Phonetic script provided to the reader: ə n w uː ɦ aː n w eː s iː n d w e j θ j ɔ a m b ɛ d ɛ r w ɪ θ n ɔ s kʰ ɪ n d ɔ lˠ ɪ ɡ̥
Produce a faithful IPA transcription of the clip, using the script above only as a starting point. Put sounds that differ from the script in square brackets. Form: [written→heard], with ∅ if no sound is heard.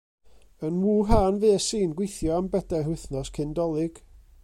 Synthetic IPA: ə n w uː ɦ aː n [w→v] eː s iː n [d→ɡ] w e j θ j ɔ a m b ɛ d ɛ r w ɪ θ n ɔ s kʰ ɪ n d ɔ lˠ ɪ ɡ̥